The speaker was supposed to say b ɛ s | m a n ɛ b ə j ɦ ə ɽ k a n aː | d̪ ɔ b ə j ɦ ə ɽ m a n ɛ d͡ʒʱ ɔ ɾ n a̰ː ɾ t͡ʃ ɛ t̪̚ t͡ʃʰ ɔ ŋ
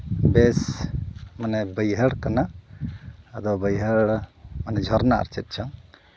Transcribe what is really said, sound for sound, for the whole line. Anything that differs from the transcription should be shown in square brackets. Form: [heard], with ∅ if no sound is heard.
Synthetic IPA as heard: b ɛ s | m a n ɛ b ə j ɦ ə ɽ k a n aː | d̪ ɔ b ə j ɦ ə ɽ m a n ɛ d͡ʒʱ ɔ ɾ n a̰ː ɾ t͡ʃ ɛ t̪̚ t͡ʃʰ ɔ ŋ